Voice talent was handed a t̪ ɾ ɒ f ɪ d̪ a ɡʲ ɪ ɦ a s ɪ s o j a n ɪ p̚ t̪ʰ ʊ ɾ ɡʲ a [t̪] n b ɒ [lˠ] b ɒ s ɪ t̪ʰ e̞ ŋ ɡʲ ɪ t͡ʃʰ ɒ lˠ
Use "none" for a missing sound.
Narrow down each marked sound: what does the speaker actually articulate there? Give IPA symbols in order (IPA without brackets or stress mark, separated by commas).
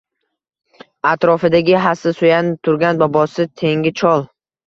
none, none